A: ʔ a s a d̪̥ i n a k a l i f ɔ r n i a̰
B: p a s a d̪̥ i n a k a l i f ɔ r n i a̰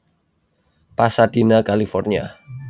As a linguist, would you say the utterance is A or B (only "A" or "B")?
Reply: B